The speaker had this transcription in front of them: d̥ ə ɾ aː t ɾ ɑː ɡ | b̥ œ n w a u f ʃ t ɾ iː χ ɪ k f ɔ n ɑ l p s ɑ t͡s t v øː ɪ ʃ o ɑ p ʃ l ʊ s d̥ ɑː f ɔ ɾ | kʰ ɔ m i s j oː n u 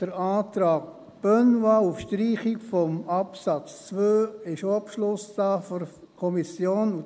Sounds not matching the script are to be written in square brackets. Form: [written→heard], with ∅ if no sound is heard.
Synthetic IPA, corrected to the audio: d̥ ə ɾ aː t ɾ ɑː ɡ | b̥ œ n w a u f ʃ t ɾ iː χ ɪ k f ɔ [n→m] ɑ [l→∅] p s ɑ t͡s [t→t͡s] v øː ɪ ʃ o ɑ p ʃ l ʊ s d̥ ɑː f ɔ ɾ | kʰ ɔ m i s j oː n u